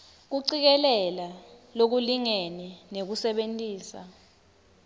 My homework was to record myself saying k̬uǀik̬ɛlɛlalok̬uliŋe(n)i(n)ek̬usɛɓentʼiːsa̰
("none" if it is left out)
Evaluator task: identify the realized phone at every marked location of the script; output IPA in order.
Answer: n, n

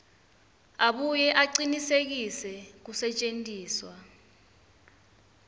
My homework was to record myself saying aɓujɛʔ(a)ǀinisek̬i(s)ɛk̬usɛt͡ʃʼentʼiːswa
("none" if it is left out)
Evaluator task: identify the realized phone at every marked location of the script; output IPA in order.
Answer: a, s

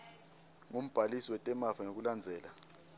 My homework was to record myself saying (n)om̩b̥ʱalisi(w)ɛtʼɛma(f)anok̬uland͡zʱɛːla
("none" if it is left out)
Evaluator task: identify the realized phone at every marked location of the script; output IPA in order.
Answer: ŋ, w, f

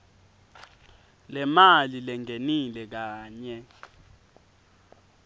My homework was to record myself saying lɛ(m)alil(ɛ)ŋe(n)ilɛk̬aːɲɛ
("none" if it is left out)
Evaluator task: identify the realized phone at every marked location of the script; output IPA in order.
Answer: m, ɛ, n

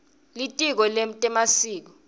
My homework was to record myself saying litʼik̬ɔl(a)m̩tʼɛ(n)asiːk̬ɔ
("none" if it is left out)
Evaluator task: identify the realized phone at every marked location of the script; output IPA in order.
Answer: e, m

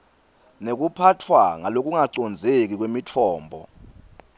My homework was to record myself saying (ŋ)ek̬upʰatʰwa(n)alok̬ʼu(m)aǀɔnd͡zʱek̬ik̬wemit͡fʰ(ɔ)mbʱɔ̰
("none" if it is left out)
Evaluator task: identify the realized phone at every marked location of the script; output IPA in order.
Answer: n, ŋ, ŋ, ɔː

